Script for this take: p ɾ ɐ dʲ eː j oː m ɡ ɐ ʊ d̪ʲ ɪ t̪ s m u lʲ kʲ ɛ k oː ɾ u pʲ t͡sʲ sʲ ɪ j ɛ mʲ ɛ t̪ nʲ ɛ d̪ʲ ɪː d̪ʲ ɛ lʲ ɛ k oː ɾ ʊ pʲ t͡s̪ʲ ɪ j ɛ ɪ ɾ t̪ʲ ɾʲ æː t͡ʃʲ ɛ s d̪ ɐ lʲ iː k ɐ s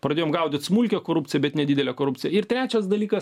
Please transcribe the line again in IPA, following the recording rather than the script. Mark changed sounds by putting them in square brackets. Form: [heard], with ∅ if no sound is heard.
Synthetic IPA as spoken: p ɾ ɐ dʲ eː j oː m ɡ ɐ ʊ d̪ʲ ɪ t̪ s m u lʲ kʲ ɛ k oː ɾ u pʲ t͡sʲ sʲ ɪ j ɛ [bʲ] ɛ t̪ nʲ ɛ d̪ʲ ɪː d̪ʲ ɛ lʲ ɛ k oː ɾ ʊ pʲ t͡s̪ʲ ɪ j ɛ ɪ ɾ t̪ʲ ɾʲ æː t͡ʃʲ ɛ s d̪ ɐ lʲ iː k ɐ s

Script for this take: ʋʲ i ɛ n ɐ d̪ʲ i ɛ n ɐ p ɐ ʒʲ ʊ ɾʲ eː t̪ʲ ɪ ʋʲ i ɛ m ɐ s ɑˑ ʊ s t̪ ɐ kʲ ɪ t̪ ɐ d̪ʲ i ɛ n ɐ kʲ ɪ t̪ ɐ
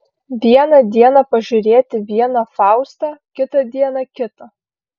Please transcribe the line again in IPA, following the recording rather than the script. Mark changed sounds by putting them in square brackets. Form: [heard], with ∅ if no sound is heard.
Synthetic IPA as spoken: ʋʲ i ɛ n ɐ d̪ʲ i ɛ n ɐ p ɐ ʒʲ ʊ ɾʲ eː t̪ʲ ɪ ʋʲ i ɛ [n] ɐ [f] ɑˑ ʊ s t̪ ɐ kʲ ɪ t̪ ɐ d̪ʲ i ɛ n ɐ kʲ ɪ t̪ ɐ

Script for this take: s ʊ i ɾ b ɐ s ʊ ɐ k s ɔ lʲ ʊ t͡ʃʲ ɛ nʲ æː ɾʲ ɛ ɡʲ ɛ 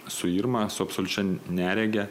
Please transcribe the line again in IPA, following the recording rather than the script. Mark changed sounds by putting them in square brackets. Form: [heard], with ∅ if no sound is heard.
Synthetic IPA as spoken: s ʊ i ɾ [m] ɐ s ʊ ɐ [p] s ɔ lʲ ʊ t͡ʃʲ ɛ nʲ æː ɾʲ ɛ ɡʲ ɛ

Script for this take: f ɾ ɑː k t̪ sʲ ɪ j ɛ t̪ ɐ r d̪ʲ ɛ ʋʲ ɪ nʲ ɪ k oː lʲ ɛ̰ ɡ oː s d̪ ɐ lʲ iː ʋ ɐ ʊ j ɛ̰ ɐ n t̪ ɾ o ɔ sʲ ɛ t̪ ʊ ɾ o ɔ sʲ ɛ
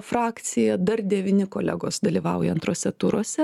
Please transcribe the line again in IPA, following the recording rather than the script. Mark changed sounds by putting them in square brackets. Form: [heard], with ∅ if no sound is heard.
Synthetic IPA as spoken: f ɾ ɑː k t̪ sʲ ɪ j ɛ [d̪] ɐ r d̪ʲ ɛ ʋʲ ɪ nʲ ɪ k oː lʲ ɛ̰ ɡ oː s d̪ ɐ lʲ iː ʋ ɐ ʊ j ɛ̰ ɐ n t̪ ɾ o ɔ sʲ ɛ t̪ ʊ ɾ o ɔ sʲ ɛ

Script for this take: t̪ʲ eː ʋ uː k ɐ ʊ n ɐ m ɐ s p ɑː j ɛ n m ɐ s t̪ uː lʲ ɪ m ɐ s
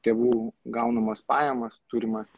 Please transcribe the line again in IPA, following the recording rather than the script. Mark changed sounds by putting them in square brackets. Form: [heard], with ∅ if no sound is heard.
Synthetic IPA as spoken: t̪ʲ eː ʋ uː [ɡ] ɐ ʊ n ɐ m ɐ s p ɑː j ɛ [∅] m ɐ s t̪ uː [ɾʲ] ɪ m ɐ s

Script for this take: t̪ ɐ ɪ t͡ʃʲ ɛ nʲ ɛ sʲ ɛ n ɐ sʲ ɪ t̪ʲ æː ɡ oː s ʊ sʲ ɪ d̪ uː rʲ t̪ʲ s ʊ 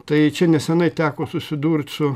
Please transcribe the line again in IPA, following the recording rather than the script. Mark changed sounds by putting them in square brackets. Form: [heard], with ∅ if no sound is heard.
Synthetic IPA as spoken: t̪ ɐ ɪ t͡ʃʲ ɛ nʲ ɛ sʲ ɛ n ɐ [∅] ɪ t̪ʲ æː [k] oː s ʊ sʲ ɪ d̪ uː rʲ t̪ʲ s ʊ

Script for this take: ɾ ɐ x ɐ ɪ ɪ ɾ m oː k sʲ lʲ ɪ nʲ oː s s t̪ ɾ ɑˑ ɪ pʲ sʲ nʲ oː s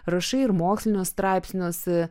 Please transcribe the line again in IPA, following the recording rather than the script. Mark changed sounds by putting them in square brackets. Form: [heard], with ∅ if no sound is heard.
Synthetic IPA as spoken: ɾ ɐ [ʃ] ɐ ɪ ɪ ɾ m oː k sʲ lʲ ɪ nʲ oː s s t̪ ɾ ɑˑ ɪ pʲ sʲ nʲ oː s

